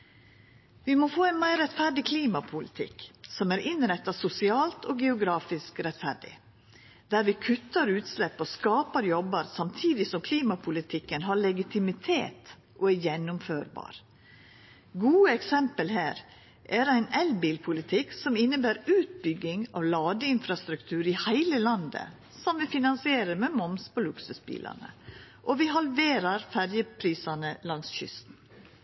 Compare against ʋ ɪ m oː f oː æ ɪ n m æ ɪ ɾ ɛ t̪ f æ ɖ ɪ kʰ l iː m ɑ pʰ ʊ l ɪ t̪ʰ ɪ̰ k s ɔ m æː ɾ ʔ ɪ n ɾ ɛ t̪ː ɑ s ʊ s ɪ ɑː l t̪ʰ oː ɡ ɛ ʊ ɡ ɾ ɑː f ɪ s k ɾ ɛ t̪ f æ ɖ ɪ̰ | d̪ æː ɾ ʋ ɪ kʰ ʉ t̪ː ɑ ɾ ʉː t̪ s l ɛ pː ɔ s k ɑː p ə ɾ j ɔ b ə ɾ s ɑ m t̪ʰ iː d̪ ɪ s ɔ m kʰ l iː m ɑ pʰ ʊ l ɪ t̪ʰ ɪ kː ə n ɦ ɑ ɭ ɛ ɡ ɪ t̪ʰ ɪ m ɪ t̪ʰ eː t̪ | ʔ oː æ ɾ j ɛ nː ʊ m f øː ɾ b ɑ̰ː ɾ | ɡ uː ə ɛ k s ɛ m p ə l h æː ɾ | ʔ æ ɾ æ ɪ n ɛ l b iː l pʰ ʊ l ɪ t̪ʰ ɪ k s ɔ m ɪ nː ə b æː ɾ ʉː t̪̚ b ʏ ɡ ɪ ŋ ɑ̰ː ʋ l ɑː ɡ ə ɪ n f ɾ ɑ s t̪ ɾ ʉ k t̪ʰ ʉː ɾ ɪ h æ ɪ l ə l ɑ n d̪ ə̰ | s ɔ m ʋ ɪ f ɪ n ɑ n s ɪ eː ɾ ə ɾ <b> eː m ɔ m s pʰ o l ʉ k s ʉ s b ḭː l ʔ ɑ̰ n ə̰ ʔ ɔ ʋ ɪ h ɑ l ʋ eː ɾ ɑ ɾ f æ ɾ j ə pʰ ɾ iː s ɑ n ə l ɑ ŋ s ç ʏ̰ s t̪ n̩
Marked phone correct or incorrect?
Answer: incorrect